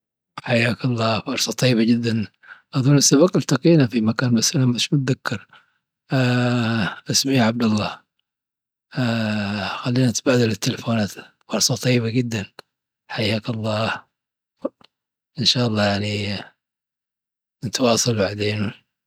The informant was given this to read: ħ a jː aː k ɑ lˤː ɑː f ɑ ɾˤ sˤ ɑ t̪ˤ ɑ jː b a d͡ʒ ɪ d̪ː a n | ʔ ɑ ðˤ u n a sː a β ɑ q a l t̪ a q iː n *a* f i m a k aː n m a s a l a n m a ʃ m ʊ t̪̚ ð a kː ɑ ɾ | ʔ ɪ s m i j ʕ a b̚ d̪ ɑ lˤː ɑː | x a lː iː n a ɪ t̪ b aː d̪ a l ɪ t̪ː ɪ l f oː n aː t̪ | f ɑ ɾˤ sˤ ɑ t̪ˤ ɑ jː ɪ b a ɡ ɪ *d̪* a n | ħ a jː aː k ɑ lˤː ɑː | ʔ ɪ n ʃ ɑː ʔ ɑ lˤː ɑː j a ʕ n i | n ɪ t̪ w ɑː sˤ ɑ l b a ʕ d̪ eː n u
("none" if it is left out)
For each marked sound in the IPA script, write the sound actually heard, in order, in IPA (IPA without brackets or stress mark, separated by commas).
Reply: a, d̪ː